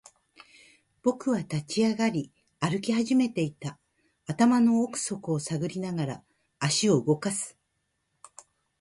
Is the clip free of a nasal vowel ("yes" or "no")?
yes